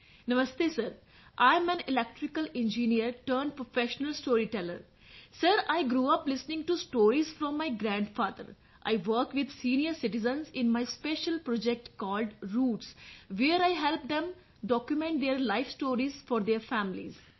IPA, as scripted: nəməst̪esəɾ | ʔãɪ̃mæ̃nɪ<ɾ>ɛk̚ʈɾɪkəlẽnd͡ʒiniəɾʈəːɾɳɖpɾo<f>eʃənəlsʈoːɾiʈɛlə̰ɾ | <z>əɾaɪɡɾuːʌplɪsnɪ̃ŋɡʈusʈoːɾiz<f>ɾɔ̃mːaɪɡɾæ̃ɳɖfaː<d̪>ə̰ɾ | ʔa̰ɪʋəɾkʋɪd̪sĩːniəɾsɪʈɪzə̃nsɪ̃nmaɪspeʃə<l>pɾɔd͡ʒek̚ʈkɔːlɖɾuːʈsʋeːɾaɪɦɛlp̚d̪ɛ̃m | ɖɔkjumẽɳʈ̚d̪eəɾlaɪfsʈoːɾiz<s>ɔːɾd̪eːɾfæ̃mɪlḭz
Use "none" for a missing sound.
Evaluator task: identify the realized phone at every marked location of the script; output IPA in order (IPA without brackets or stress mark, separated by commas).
l, f, s, f, d̪, l, f